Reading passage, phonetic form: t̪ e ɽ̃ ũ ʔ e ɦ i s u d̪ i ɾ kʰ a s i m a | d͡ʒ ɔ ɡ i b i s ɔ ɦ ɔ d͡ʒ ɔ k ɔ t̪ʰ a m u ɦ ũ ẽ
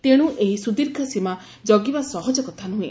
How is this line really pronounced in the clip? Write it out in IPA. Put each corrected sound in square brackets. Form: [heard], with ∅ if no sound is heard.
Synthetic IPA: t̪ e ɽ̃ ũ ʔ e ɦ i s u d̪ i ɾ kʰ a s i m a | d͡ʒ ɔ ɡ i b [a] s ɔ ɦ ɔ d͡ʒ ɔ k ɔ t̪ʰ a [n] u ɦ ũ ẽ

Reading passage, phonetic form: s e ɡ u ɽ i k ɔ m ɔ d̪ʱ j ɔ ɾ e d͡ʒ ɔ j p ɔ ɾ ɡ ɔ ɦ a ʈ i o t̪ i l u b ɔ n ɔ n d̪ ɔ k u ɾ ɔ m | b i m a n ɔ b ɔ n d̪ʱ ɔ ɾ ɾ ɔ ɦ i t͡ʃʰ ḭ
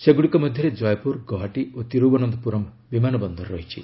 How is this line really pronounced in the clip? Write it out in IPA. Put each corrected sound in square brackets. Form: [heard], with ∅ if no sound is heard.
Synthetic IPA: s e ɡ u ɽ i k ɔ m ɔ d̪ʱ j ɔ ɾ e d͡ʒ ɔ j p [u] ɾ ɡ ɔ ɦ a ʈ i o t̪ i [ɾ] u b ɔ n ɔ n d̪ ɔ [p] u ɾ ɔ m | b i m a n ɔ b ɔ n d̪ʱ ɔ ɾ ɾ ɔ ɦ i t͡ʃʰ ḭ

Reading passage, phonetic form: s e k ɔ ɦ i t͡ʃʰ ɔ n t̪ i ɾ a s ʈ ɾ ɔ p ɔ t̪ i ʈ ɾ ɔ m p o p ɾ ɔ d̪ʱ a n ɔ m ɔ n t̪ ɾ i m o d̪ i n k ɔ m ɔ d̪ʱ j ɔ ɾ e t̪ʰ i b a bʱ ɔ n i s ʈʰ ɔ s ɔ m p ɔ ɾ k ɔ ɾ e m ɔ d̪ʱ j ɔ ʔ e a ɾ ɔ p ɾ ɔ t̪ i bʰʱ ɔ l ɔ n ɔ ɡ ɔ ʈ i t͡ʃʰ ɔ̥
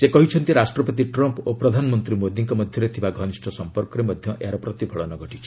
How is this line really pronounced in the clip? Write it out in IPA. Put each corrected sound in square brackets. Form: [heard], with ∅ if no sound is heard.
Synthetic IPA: s e k ɔ ɦ i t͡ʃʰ ɔ n t̪ i ɾ a s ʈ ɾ ɔ p ɔ t̪ i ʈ ɾ ɔ m p o p ɾ ɔ d̪ʱ a n ɔ m ɔ n t̪ ɾ i m o d̪ i [ŋ] k ɔ m ɔ d̪ʱ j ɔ ɾ e t̪ʰ i b a [ɡʱ] ɔ n i s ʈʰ ɔ s ɔ m p ɔ ɾ k ɔ ɾ e m ɔ d̪ʱ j ɔ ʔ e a ɾ ɔ p ɾ ɔ t̪ i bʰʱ ɔ [ɭ] ɔ n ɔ ɡ ɔ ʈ i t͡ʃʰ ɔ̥

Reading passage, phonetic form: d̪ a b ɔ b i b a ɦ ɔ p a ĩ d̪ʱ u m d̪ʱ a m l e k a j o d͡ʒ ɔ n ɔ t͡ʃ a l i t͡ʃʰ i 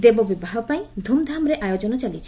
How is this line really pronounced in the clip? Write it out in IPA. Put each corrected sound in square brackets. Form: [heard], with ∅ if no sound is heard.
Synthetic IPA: d̪ [e] b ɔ b i b a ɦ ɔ p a ĩ d̪ʱ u m d̪ʱ a m [ɾ] e [ʔ] a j o d͡ʒ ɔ n ɔ t͡ʃ a l i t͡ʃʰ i

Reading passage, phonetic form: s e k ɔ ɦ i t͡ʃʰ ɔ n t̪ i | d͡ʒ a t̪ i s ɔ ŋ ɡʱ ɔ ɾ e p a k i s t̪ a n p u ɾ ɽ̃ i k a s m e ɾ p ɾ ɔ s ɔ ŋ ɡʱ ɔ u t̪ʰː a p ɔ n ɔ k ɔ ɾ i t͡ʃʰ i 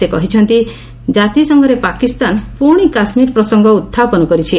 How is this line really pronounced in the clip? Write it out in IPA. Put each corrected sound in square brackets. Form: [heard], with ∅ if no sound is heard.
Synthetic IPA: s e k ɔ ɦ i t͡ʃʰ ɔ n t̪ i | d͡ʒ a t̪ i s ɔ ŋ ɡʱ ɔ ɾ e p a k i s t̪ a n p u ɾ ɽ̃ i k a s m [i] ɾ p ɾ ɔ s ɔ ŋ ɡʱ ɔ u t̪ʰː a p ɔ n ɔ k ɔ ɾ i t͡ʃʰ i

